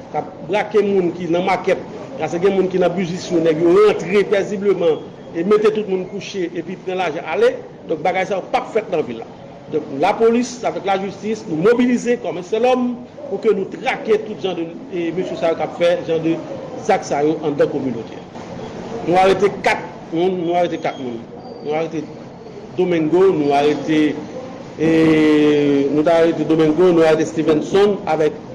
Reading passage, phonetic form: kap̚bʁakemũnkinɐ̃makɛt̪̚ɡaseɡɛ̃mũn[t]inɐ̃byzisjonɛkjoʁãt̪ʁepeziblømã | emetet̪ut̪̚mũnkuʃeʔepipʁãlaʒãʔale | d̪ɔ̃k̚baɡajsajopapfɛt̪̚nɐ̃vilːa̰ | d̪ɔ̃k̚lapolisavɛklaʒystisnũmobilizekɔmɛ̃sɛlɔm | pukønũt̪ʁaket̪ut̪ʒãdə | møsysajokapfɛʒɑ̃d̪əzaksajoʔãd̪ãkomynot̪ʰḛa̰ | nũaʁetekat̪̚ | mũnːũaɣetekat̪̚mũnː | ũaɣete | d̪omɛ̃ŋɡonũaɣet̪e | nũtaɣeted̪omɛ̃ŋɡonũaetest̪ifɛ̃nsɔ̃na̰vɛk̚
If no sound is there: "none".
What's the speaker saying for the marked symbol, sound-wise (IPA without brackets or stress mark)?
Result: k